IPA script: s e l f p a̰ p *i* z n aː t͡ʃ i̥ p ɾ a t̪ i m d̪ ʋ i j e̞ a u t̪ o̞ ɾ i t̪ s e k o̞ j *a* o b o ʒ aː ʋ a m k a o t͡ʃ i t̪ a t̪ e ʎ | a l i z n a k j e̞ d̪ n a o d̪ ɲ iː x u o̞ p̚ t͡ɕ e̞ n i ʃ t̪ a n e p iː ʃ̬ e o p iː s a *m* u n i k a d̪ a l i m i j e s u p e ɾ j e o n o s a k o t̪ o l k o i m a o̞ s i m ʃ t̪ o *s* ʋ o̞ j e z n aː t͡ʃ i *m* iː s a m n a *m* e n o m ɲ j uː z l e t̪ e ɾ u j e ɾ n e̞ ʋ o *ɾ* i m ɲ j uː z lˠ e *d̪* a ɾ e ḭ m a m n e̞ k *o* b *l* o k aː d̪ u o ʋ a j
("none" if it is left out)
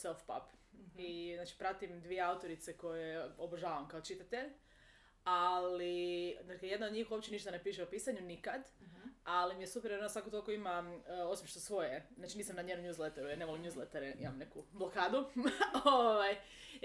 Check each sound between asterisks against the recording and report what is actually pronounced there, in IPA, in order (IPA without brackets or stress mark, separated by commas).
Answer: i, e, ɲ, s, n, ɲ, l, t̪, u, l